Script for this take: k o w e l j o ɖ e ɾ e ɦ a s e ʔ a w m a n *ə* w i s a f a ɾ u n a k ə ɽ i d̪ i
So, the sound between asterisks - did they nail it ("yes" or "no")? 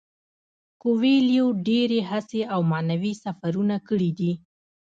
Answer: no